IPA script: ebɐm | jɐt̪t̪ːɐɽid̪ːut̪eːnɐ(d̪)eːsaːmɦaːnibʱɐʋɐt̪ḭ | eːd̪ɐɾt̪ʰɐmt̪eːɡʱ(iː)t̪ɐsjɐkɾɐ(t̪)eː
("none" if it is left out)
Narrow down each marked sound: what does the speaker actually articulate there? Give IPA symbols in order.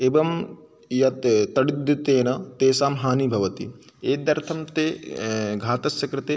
t̪, aː, t̪

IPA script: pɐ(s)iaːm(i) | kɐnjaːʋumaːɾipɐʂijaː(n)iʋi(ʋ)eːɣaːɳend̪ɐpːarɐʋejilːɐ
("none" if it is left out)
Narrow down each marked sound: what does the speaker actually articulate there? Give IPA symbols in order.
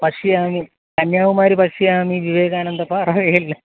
ʂ, i, m, ʋ

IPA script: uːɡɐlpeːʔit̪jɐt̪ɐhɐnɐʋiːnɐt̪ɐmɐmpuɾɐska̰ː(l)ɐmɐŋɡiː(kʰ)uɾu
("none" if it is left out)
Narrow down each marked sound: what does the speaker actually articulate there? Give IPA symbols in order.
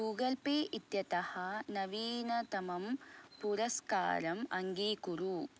ɾ, k

